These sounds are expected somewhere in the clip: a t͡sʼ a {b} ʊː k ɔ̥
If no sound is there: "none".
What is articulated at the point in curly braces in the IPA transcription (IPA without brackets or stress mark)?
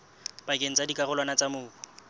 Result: m